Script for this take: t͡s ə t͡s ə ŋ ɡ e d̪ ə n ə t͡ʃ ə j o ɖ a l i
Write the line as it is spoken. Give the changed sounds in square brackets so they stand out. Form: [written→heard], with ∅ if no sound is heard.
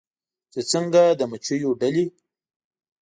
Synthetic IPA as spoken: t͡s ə t͡s ə ŋ ɡ [e→a] d̪ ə [n→m] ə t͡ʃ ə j o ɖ a l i